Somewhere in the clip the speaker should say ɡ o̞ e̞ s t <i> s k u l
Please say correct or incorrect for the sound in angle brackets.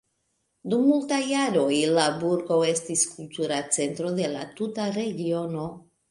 correct